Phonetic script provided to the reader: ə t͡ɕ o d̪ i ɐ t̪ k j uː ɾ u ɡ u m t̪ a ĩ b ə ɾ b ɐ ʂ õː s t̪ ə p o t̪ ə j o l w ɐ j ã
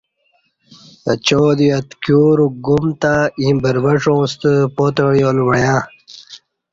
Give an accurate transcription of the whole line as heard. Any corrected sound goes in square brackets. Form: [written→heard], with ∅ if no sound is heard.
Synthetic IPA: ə t͡ɕ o d̪ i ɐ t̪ k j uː ɾ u ɡ u m t̪ a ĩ b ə ɾ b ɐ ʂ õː s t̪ ə p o t̪ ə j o l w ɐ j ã